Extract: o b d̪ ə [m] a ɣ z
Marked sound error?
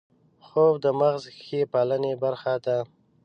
no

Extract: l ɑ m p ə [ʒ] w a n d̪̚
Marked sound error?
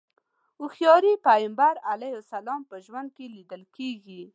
no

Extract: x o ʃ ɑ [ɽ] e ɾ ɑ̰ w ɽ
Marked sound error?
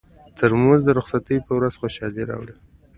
yes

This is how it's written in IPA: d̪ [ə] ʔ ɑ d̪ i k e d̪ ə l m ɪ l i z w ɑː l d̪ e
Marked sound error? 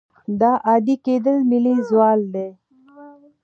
yes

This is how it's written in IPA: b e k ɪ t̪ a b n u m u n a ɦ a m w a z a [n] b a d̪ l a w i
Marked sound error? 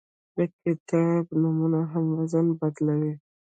no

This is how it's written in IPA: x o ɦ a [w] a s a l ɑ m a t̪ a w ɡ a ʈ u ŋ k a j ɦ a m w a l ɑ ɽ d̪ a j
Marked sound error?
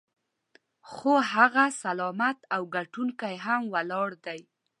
yes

